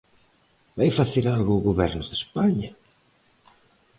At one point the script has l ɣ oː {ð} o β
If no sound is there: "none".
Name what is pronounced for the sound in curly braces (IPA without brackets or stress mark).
ɣ